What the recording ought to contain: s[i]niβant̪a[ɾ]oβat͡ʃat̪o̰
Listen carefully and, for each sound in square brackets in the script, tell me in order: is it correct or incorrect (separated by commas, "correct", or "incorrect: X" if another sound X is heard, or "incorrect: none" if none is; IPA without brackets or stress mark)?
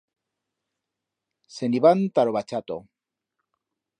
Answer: incorrect: e, correct